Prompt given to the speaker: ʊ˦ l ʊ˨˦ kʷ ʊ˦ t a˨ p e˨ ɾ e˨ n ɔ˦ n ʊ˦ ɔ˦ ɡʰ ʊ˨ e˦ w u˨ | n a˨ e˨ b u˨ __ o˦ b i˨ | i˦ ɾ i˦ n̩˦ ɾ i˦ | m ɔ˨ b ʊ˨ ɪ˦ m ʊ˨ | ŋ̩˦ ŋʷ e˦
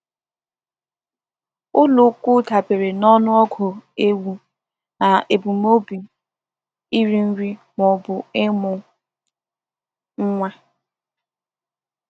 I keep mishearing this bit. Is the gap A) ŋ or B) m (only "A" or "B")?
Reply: B